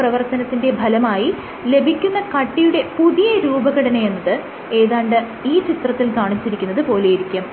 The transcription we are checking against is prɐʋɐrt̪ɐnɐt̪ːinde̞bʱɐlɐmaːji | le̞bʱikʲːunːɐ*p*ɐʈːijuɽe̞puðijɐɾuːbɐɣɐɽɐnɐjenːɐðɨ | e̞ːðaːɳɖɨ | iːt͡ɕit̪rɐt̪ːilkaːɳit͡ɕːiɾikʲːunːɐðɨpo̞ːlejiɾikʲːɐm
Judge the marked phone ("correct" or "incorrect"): incorrect